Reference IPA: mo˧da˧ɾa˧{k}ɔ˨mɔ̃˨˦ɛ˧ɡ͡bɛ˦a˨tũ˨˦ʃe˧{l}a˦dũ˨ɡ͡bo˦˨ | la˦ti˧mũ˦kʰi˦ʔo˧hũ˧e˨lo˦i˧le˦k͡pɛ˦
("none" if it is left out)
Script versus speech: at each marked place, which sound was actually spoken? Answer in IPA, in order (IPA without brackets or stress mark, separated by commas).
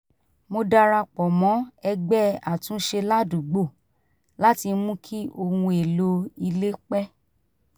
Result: k͡p, l